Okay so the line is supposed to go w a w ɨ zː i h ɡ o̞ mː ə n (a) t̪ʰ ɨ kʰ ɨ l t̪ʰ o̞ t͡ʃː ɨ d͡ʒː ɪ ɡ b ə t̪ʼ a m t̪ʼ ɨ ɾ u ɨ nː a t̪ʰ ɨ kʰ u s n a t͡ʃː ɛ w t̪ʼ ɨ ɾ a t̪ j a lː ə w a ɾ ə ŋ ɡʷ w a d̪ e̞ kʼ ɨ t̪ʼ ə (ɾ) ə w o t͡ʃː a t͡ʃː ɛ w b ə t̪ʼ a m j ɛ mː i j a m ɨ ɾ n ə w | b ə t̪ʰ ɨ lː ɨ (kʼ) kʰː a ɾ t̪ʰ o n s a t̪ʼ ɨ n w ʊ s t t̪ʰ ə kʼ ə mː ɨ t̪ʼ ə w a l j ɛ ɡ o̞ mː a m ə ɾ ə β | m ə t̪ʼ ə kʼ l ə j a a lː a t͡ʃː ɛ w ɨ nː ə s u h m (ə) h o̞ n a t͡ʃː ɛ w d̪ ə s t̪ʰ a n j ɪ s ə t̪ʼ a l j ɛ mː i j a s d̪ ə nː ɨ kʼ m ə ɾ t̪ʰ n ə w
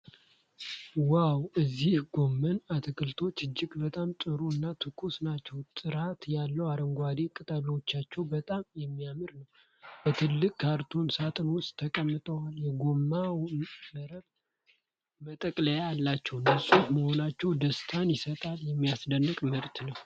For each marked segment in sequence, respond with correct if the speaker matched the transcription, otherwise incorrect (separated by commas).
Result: correct, incorrect, correct, correct